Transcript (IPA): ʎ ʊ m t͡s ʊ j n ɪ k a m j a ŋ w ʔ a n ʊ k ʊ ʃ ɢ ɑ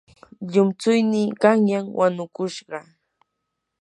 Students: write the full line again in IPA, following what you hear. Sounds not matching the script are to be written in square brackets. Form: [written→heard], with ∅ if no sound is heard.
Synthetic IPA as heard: ʎ ʊ m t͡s ʊ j n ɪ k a [m→ŋ] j a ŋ w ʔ a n ʊ k ʊ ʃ ɢ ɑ